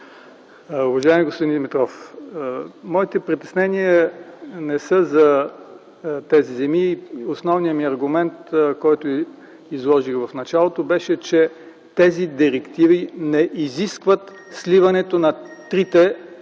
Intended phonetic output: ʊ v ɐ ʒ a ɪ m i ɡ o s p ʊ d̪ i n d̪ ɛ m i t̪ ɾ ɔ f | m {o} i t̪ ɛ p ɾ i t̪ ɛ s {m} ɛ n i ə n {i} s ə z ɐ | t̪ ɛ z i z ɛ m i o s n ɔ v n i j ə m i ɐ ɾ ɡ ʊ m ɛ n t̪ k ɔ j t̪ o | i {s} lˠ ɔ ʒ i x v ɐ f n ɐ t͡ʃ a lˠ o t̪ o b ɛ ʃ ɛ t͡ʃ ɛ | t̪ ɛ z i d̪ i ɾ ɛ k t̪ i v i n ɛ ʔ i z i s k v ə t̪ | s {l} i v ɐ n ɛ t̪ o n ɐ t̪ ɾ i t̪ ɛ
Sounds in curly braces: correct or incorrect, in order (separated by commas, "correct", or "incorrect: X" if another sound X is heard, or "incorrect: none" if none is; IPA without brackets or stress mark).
incorrect: ɔ, incorrect: n, incorrect: ɛ, incorrect: z, correct